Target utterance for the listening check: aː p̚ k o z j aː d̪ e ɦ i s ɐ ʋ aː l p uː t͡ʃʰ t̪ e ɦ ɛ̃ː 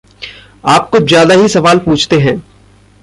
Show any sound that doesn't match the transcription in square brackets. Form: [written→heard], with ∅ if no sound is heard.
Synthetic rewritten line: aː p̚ k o z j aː d̪ [e→a] ɦ i s ɐ ʋ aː l p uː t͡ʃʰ t̪ e ɦ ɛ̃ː